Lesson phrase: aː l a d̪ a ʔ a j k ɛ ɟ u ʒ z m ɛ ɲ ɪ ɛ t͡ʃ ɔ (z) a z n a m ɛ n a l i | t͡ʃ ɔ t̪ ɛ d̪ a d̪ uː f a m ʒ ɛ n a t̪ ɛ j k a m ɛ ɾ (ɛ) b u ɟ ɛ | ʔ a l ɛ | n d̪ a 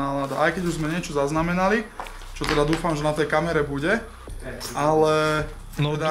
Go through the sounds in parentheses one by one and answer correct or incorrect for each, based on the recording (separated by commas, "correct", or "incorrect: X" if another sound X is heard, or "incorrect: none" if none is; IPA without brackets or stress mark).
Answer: correct, correct